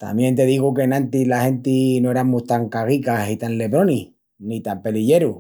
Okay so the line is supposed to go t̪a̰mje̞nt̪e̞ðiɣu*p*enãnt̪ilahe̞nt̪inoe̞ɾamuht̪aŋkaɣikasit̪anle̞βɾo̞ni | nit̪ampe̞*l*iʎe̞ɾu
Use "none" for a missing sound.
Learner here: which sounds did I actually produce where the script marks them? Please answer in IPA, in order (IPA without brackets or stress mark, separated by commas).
k, l